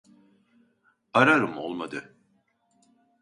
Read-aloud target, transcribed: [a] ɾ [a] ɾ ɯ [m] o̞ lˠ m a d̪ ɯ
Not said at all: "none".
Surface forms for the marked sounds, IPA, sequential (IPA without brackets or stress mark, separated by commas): a, a, m